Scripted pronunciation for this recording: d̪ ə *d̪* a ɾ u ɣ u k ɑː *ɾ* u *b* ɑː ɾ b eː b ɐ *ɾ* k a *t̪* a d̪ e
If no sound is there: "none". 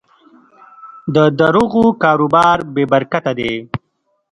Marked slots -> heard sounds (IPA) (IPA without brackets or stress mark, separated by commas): d̪, ɾ, b, ɾ, t̪